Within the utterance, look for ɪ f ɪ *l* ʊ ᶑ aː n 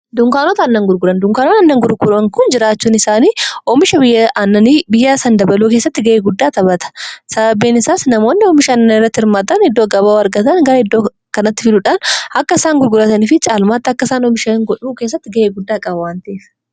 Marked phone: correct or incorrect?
correct